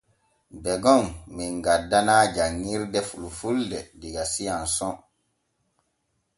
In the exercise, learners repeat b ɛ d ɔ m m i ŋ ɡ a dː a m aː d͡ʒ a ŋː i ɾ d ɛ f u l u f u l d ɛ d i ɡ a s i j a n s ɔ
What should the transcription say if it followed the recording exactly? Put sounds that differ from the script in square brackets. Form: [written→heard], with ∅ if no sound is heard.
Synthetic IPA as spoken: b ɛ [d→ɡ] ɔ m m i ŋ ɡ a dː a [m→n] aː d͡ʒ a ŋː i ɾ d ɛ f u l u f u l d ɛ d i ɡ a s i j a n s ɔ

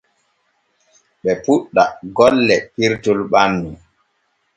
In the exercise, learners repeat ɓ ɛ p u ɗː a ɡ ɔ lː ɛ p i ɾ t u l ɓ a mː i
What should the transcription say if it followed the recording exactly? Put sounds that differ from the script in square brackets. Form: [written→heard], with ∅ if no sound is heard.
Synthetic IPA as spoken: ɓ ɛ p u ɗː a ɡ ɔ lː ɛ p i ɾ t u l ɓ a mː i

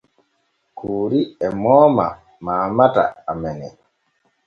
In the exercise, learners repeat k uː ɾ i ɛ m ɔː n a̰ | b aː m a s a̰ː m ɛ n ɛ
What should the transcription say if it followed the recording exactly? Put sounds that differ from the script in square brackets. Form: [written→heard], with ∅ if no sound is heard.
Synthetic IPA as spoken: k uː ɾ i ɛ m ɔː [n→m] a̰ | [b→m] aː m a [s→t] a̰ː m ɛ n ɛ

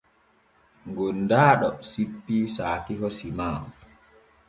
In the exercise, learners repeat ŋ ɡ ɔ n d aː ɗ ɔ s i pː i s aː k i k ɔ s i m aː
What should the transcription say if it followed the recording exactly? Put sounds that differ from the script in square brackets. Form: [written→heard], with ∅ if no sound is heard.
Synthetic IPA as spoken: ŋ ɡ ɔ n d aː ɗ ɔ s i pː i s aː k i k ɔ s i m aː

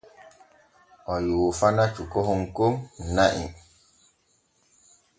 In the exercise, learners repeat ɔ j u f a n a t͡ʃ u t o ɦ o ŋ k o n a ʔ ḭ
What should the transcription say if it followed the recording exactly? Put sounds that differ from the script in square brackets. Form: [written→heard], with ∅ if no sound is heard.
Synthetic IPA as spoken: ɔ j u f a n a t͡ʃ u [t→k] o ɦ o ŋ k o n a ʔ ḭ

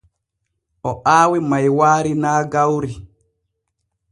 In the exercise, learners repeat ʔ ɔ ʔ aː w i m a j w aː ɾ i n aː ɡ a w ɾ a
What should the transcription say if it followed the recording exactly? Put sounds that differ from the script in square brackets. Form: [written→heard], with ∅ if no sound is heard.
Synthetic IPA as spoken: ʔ ɔ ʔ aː w i m a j w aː ɾ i n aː ɡ a w ɾ [a→i]

